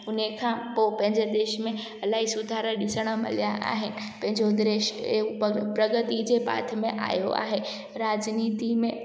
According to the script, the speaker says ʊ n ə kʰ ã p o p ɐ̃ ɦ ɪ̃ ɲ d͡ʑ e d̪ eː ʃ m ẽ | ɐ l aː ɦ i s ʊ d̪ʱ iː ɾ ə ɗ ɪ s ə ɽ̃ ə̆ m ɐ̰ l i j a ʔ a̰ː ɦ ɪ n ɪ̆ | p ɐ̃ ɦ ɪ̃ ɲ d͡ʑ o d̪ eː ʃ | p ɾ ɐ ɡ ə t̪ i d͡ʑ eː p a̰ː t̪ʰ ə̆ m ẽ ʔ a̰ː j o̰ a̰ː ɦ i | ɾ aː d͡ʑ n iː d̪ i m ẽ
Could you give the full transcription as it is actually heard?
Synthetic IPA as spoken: ʊ n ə kʰ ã p o p ɐ̃ ɦ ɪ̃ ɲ d͡ʑ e d̪ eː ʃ m ẽ | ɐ l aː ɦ i s ʊ d̪ʱ aː ɾ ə ɗ ɪ s ə ɽ̃ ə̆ m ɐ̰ l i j a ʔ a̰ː ɦ ɪ n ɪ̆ | p ɐ̃ ɦ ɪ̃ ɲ d͡ʑ o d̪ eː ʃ | p ɾ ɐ ɡ ə t̪ i d͡ʑ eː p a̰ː t̪ʰ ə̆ m ẽ ʔ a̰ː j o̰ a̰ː ɦ e | ɾ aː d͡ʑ n iː t̪ i m ẽ